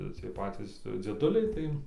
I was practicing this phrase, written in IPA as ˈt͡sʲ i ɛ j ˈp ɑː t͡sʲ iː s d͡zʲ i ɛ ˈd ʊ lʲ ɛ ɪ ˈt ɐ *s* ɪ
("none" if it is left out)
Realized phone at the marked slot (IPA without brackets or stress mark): none